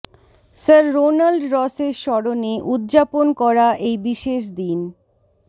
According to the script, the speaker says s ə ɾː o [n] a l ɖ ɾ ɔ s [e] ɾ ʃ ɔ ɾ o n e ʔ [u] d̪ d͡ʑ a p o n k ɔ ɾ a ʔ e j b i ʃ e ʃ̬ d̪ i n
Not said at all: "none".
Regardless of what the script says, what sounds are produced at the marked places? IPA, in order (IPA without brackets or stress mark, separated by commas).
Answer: n, e, u